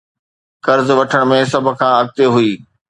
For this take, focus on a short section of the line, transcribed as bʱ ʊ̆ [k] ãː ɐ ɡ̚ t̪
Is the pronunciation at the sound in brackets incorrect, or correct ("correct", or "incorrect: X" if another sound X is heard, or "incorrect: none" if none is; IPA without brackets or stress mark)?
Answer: incorrect: kʰ